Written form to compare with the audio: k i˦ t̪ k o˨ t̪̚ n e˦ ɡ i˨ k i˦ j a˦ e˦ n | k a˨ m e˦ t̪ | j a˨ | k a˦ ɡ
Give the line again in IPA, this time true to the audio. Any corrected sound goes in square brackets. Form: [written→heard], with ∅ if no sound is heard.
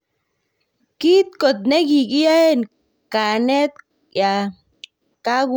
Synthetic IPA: k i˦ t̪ k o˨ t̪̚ n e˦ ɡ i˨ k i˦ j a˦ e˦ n | k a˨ [m→n] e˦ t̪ | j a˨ | k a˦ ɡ